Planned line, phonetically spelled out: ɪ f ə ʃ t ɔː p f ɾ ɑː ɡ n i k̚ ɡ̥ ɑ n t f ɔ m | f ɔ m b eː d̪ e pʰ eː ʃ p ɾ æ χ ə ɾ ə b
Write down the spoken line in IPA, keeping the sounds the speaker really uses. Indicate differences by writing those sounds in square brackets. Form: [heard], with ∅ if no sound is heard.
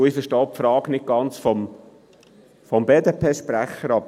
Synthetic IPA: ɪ f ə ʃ t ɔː p f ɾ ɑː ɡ n [ɪ] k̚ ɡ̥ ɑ n [t͡s] f ɔ m | f ɔ m b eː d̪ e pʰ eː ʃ p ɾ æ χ ə ɾ [ɑ] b